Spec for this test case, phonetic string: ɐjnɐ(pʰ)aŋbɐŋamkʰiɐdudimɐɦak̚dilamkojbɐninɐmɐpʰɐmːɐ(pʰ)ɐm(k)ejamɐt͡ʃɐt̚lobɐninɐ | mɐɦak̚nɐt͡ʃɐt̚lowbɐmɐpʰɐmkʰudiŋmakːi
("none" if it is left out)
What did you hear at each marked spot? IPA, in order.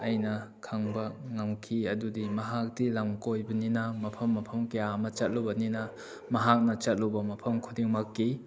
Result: kʰ, pʰ, k

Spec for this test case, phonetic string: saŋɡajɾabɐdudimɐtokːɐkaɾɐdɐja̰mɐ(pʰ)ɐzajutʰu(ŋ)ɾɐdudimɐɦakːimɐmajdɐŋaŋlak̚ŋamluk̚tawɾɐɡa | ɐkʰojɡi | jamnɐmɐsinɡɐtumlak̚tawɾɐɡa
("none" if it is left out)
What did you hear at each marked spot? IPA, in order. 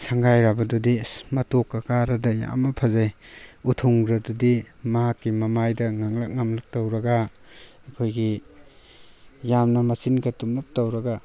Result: pʰ, ŋ

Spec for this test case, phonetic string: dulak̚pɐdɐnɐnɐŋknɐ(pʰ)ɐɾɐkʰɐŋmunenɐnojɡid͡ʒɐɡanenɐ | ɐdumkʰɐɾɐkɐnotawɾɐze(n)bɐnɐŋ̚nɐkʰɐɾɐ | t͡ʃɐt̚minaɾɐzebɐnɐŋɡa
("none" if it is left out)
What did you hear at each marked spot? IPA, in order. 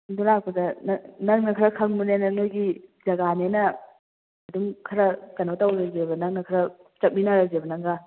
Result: kʰ, none

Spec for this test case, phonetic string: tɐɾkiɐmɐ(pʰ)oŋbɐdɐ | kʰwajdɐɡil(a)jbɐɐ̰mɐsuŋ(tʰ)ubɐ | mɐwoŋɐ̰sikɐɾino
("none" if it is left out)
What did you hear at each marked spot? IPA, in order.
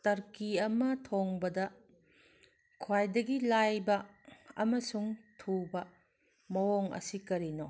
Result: tʰ, a, tʰ

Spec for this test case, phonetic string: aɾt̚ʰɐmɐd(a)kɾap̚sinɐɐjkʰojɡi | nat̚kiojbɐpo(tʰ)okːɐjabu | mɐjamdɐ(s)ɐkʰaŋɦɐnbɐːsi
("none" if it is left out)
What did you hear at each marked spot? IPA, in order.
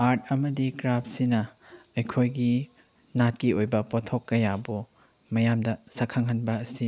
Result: i, tʰ, s

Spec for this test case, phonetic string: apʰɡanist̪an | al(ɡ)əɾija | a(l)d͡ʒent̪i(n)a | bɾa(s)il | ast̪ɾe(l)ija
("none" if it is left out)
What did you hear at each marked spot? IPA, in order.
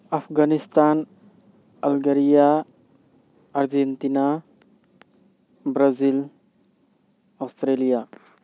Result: ɡ, ɾ, n, z, l

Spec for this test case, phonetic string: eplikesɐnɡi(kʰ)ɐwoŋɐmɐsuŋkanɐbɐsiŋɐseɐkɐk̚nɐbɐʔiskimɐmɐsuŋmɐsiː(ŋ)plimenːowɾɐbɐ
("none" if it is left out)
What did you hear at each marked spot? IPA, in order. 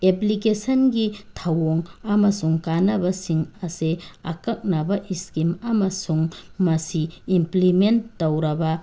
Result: tʰ, m

